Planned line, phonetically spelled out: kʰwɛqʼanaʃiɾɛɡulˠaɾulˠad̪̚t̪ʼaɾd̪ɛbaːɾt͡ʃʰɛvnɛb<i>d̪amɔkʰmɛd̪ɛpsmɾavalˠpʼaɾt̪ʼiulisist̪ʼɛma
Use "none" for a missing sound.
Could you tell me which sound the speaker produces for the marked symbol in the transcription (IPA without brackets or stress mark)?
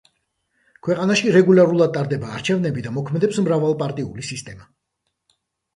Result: i